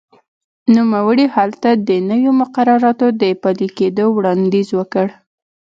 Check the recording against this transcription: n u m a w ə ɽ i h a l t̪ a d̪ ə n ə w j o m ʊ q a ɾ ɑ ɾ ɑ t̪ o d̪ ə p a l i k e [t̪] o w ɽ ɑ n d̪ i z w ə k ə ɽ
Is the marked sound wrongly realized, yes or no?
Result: yes